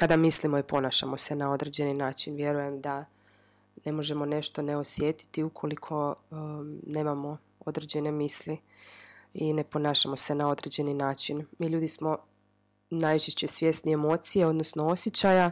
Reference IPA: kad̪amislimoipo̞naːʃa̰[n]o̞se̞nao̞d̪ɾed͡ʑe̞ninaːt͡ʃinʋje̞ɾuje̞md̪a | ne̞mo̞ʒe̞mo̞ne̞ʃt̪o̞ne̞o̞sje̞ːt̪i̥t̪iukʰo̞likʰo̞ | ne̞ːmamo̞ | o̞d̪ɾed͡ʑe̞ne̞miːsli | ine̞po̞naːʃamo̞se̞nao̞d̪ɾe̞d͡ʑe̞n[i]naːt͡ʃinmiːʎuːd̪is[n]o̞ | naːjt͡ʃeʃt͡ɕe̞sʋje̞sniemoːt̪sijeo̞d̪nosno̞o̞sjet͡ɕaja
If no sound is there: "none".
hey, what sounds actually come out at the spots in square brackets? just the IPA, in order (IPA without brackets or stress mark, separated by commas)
m, i, m